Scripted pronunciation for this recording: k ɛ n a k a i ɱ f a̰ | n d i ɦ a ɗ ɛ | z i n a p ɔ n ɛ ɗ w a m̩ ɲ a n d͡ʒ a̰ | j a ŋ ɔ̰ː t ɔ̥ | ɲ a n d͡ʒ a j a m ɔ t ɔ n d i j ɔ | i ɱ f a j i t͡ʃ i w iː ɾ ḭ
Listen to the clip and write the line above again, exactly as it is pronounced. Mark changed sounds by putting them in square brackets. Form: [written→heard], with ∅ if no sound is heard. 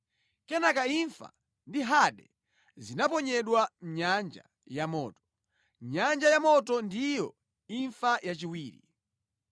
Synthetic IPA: k ɛ n a k a i ɱ f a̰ | n d i ɦ a ɗ ɛ | z i n a p ɔ [n→ɲ] ɛ ɗ w a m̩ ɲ a n d͡ʒ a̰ | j a [ŋ→m] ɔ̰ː t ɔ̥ | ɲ a n d͡ʒ a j a m ɔ t ɔ n d i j ɔ | i ɱ f a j [i→a] t͡ʃ i w iː ɾ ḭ